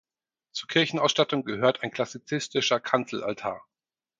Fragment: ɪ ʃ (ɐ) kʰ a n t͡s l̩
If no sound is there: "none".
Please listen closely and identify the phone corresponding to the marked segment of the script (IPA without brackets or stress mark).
ɐ